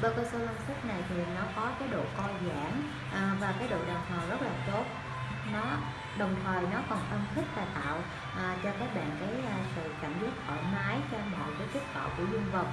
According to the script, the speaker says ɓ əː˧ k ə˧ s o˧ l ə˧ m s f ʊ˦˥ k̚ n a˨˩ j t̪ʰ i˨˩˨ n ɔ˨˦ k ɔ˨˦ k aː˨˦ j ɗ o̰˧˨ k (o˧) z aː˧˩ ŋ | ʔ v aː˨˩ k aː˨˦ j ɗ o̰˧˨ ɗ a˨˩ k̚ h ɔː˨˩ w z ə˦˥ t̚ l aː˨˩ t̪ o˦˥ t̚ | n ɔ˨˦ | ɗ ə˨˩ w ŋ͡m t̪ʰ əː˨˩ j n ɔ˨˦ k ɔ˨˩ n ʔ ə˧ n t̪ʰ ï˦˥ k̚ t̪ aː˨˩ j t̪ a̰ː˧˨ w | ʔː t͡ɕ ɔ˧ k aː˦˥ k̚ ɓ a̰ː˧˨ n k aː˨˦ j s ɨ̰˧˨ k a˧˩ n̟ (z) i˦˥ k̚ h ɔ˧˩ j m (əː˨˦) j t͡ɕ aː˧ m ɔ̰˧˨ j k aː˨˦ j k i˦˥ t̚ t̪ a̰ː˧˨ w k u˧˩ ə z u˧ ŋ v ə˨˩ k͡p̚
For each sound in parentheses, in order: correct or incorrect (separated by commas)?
incorrect, correct, incorrect